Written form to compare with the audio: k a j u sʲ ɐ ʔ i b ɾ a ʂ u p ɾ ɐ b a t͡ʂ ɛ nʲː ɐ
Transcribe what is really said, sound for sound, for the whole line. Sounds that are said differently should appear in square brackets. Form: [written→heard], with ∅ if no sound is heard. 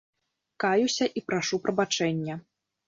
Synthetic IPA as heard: k a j u sʲ ɐ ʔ i [b→p] ɾ a ʂ u p ɾ ɐ b a t͡ʂ ɛ nʲː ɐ